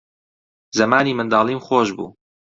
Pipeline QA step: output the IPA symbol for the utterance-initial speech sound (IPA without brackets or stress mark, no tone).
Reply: z